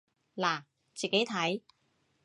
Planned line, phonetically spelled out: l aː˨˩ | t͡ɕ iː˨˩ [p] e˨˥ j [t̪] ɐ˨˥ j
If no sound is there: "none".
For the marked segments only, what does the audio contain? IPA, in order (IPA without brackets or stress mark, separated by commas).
k, t̪ʰ